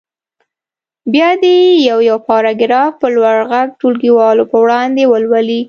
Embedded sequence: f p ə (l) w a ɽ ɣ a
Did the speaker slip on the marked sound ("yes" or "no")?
no